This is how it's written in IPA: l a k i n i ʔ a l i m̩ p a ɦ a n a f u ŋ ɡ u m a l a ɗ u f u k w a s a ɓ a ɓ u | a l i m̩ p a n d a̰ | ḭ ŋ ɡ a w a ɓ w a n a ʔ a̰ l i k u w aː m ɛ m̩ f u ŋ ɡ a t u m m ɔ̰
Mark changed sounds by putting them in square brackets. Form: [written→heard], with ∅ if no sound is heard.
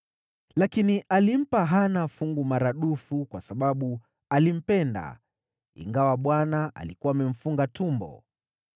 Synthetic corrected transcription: l a k i n i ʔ a l i m̩ p a ɦ a n a f u ŋ ɡ u m a [l→ɾ] a ɗ u f u k w a s a ɓ a ɓ u | a l i m̩ p [a→ɛ] n d a̰ | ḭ ŋ ɡ a w a ɓ w a n a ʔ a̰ l i k u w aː m ɛ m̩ f u ŋ ɡ a t u m [m→b] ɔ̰

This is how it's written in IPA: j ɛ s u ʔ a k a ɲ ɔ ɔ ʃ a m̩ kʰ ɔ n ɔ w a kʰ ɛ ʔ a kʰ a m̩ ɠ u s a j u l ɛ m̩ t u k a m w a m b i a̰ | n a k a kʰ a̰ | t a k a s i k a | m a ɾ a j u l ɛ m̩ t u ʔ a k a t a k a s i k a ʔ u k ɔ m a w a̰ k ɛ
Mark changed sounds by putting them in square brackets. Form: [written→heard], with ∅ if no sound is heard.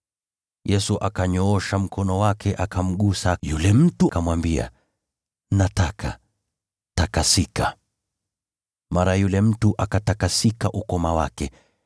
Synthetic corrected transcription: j ɛ s u ʔ a k a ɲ ɔ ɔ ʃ a m̩ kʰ ɔ n ɔ w a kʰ ɛ ʔ a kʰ a m̩ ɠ u s a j u l ɛ m̩ t u k a m w a m b i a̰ | n a [k→t] a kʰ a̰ | t a k a s i k a | m a ɾ a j u l ɛ m̩ t u ʔ a k a t a k a s i k a ʔ u k ɔ m a w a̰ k ɛ

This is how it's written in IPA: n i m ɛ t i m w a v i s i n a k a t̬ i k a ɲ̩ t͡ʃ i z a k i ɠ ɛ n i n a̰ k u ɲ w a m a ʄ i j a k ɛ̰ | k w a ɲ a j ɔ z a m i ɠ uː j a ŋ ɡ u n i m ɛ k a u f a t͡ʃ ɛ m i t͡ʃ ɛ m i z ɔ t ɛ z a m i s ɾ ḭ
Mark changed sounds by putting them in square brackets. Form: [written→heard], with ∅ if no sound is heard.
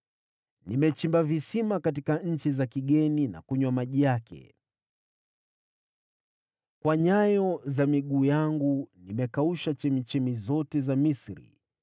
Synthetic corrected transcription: n i m ɛ [t→t͡ʃ] i m [w→b] a v i s i [n→m] a k a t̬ i k a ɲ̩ t͡ʃ i z a k i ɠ ɛ n i n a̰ k u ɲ w a m a ʄ i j a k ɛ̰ | k w a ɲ a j ɔ z a m i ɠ uː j a ŋ ɡ u n i m ɛ k a u [f→ʃ] a t͡ʃ ɛ m i t͡ʃ ɛ m i z ɔ t ɛ z a m i s ɾ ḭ

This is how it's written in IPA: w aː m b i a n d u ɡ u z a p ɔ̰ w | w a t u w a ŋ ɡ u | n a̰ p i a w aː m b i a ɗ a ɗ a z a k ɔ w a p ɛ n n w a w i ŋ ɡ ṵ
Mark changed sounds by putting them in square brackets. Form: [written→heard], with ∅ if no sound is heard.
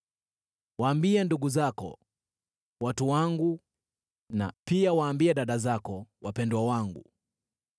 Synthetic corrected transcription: w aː m b i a n d u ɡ u z a [p→k] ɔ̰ [w→∅] | w a t u w a ŋ ɡ u | n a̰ p i a w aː m b i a ɗ a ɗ a z a k ɔ w a p ɛ n [n→d] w a w [i→a] ŋ ɡ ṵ

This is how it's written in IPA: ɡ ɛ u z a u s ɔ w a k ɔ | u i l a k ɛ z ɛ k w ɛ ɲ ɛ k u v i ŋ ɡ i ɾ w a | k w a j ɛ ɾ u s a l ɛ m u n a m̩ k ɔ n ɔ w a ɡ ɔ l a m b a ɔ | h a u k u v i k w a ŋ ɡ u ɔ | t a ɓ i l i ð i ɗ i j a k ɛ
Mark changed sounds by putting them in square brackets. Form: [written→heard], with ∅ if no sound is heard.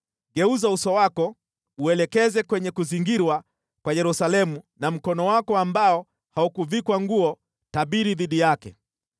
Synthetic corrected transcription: ɡ ɛ u z a u s ɔ w a k ɔ | u [i→ɛ] l [a→ɛ] k ɛ z ɛ k w ɛ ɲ ɛ k u [v→z] i ŋ ɡ i ɾ w a | k w a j ɛ ɾ u s a l ɛ m u n a m̩ k ɔ n ɔ w a [ɡ→k] ɔ [l→∅] a m b a ɔ | h a u k u v i k w a ŋ ɡ u ɔ | t a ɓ i [l→ɾ] i ð i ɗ i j a k ɛ

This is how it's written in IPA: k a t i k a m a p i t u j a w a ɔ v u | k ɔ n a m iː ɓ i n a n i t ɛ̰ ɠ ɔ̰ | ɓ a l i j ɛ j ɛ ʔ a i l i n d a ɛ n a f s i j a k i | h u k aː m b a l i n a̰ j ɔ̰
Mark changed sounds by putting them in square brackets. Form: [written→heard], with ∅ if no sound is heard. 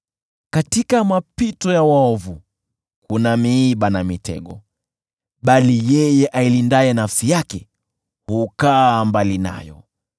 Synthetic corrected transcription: k a t i k a m a p i t [u→ɔ] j a w a ɔ v u | k [ɔ→u] n a m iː ɓ [i→a] n a [n→m] i t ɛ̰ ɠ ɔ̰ | ɓ a l i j ɛ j ɛ ʔ a i l i n d a ɛ n a f s i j a k [i→ɛ] | h u k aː m b a l i n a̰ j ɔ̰

